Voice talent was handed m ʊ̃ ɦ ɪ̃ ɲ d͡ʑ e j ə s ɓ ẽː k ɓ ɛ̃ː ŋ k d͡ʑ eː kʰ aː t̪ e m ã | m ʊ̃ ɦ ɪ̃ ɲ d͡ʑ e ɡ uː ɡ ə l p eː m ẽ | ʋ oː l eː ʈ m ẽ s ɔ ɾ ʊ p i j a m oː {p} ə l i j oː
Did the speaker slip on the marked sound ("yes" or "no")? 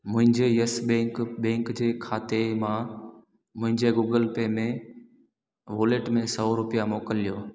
yes